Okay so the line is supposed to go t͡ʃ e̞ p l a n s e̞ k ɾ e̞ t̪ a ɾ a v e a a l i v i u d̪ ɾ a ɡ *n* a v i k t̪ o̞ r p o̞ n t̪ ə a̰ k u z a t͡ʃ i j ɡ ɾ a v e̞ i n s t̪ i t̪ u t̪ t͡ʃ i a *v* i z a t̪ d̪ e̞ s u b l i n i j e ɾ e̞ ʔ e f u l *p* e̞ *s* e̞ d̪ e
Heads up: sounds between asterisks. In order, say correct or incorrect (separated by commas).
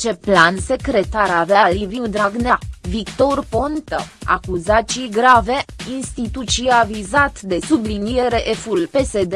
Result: correct, correct, correct, correct